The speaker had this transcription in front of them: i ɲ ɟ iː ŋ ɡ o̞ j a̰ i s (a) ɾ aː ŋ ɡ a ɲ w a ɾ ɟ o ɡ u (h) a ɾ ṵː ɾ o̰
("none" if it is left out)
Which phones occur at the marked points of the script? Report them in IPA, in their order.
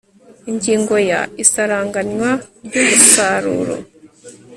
a, s

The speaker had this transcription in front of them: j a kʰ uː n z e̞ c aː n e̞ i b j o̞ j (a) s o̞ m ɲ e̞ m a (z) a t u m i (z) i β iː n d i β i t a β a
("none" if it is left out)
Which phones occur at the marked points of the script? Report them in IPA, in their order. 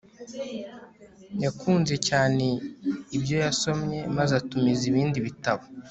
a, z, z

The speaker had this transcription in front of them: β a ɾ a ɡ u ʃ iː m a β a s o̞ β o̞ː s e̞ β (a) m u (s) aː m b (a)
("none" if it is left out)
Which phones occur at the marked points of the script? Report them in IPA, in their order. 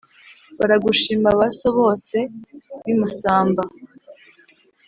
i, s, a

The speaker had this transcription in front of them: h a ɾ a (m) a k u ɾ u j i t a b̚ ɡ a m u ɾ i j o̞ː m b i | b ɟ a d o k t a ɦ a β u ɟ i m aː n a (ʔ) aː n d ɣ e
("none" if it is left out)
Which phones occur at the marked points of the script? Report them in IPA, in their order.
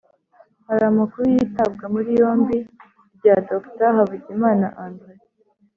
m, ʔ

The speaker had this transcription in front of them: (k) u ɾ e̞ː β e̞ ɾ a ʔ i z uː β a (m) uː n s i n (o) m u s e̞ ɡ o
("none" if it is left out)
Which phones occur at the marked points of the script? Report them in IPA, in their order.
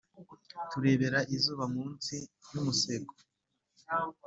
t, m, u

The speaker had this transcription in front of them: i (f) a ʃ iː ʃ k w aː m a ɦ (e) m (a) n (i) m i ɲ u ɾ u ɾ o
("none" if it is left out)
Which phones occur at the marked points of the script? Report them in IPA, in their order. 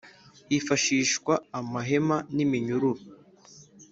f, e, a, i

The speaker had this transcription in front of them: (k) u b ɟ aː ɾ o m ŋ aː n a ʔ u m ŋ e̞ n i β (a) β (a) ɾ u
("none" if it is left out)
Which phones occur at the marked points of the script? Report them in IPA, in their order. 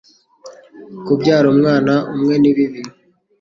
k, i, i

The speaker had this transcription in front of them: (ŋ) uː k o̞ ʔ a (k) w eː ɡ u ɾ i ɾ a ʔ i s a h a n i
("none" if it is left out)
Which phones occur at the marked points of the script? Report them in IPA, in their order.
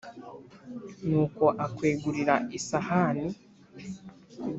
n, k

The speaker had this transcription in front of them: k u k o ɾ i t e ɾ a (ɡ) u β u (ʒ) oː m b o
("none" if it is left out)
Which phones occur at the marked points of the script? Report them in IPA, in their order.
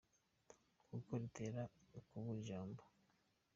k, ʒ

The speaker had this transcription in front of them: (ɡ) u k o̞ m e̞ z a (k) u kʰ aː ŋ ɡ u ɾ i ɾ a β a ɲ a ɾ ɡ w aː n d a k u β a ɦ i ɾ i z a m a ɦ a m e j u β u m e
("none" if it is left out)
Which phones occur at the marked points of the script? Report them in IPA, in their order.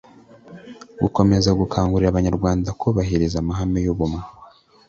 ɡ, ɡ

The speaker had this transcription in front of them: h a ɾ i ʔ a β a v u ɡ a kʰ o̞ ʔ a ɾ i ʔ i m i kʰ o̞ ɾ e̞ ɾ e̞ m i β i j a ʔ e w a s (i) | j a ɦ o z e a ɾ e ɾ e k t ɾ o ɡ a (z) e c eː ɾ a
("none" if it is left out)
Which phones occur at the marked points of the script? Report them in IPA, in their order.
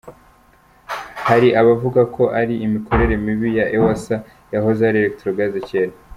a, z

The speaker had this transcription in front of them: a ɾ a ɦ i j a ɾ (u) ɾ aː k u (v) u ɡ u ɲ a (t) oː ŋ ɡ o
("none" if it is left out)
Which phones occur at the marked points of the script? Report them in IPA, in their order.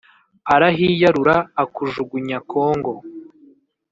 u, ʒ, k

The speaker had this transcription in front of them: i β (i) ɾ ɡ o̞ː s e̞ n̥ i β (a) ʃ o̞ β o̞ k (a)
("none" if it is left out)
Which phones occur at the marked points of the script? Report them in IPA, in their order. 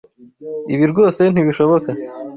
i, i, a

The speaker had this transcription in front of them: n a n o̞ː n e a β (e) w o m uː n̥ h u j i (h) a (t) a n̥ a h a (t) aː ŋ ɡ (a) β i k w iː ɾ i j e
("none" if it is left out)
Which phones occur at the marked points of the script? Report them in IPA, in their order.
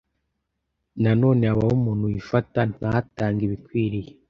a, f, t, t, i

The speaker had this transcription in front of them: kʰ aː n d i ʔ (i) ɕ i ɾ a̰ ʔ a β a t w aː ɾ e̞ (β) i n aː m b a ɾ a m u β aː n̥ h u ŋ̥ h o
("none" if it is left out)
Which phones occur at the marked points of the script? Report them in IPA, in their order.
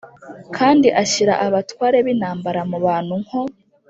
a, β

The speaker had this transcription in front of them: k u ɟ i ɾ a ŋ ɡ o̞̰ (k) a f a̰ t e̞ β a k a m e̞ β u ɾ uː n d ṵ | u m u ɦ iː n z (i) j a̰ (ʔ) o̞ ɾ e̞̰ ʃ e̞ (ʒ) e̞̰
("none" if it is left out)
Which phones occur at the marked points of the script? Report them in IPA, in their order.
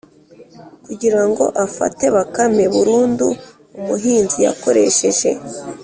ʔ, i, k, ʒ

